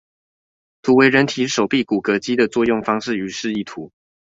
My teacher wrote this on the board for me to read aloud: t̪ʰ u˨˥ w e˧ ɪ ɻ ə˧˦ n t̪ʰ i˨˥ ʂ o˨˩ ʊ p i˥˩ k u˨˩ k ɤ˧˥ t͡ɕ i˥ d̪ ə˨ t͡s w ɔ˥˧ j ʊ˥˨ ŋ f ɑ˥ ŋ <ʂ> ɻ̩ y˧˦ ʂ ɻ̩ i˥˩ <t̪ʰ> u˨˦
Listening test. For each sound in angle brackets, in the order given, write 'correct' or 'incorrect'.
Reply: correct, correct

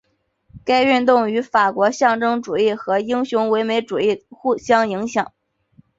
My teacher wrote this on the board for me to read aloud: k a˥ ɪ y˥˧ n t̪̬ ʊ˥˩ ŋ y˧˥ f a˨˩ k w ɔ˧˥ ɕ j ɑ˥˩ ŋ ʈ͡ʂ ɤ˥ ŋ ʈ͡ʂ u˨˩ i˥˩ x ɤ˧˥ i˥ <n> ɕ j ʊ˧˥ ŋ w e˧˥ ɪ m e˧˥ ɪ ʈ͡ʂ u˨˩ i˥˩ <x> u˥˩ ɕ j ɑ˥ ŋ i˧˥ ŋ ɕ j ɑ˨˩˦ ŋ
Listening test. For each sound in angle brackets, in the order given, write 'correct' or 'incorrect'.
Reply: incorrect: ŋ, correct

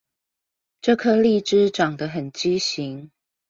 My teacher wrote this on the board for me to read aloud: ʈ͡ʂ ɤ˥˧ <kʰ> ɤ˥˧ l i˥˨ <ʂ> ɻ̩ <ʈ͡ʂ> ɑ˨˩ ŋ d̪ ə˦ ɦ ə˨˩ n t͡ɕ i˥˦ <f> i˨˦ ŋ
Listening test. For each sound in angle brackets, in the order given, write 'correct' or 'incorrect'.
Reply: correct, incorrect: ʈ͡ʂ, correct, incorrect: ɕ

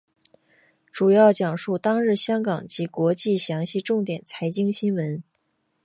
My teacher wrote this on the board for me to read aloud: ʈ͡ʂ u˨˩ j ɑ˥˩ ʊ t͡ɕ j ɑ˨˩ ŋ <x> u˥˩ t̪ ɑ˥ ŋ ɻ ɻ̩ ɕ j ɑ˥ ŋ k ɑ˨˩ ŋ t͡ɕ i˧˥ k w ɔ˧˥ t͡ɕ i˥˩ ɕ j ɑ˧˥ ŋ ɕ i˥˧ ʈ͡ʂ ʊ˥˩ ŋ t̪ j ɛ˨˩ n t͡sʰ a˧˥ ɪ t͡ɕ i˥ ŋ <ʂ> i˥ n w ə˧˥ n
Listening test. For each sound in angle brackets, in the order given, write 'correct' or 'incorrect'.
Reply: incorrect: ʂ, incorrect: ɕ

